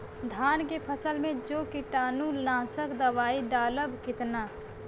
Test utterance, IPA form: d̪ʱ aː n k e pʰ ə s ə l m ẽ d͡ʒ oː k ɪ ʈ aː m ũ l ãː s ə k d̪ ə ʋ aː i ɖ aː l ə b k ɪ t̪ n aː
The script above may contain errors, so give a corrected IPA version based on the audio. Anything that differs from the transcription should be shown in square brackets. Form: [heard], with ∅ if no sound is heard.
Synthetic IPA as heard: d̪ʱ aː n k e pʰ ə s ə l m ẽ d͡ʒ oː k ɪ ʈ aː [n] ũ l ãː s ə k d̪ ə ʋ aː i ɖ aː l ə b k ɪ t̪ n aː